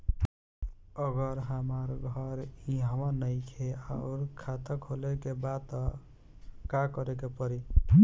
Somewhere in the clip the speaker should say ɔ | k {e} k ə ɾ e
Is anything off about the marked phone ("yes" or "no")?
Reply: yes